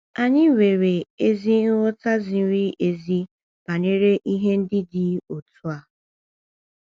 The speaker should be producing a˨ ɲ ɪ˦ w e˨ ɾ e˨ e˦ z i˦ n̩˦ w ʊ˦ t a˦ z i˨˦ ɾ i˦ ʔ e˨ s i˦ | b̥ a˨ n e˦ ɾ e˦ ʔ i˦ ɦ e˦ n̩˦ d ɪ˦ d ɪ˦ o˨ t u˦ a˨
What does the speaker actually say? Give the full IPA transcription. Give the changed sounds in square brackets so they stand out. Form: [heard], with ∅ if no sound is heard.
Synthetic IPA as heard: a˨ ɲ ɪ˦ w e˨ ɾ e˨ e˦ z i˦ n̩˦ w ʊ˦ t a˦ z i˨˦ ɾ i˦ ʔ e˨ [z] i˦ | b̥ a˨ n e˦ ɾ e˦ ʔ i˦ ɦ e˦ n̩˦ d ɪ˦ d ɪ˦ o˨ t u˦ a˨